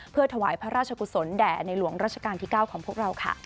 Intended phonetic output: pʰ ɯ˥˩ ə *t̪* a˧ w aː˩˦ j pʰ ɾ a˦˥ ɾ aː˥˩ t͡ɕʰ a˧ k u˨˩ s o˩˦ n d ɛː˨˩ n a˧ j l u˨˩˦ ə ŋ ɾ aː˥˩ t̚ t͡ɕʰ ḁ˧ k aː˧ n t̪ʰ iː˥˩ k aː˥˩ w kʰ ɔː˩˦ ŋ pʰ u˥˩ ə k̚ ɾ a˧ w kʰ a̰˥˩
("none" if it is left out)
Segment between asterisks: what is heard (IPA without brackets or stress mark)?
t̪ʰ